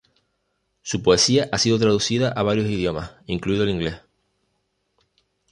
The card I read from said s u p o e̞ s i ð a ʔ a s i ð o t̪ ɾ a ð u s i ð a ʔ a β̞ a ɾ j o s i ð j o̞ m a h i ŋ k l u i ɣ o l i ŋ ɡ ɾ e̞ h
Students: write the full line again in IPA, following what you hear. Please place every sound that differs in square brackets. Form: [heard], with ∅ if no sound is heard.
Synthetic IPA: s u p o e̞ s i [∅] a ʔ a s i ð o t̪ ɾ a ð u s i ð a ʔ a β̞ a ɾ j o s i ð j o̞ m a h i ŋ k l u i [ð] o l i ŋ ɡ [l] e̞ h